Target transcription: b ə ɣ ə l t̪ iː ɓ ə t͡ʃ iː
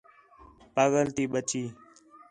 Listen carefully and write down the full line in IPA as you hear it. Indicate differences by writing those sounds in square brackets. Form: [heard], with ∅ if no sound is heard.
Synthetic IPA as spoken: [p] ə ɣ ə l t̪ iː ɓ ə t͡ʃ iː